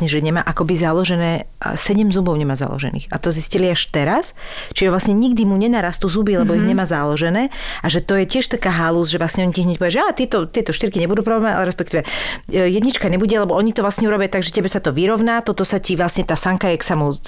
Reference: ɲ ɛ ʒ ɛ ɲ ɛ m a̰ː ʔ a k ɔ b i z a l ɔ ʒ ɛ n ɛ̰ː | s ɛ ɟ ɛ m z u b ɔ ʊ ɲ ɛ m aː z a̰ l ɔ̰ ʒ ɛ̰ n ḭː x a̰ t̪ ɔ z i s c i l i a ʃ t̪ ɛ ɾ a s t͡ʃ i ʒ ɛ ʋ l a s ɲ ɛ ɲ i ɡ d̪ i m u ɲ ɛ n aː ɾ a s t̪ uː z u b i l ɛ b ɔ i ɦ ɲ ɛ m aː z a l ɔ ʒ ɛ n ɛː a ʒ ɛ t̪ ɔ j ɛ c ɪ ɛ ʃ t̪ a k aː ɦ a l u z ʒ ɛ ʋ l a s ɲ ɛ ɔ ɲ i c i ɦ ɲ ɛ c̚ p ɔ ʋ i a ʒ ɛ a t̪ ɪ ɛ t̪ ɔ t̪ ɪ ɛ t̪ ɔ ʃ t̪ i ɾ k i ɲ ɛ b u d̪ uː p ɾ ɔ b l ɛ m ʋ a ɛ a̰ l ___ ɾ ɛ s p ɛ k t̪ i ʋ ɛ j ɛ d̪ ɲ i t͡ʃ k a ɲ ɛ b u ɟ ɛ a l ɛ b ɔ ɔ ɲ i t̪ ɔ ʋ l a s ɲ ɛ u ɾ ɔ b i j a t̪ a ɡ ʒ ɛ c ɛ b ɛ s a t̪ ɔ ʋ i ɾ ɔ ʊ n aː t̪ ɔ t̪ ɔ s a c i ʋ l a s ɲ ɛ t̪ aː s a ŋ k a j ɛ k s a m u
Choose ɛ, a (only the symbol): ɛ